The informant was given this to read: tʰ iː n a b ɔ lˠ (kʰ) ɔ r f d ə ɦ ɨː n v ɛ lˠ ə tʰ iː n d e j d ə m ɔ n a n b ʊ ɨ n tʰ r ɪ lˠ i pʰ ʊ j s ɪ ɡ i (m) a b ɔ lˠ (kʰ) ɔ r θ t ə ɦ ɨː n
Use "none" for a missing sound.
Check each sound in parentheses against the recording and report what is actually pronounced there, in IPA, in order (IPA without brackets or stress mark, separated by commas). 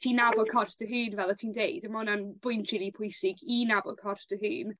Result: kʰ, n, kʰ